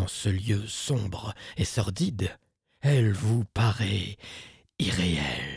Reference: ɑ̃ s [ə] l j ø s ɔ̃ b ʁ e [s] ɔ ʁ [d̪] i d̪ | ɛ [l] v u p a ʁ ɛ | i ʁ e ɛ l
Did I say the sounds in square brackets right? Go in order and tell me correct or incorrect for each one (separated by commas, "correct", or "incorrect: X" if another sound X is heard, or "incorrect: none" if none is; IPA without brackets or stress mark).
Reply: correct, correct, correct, correct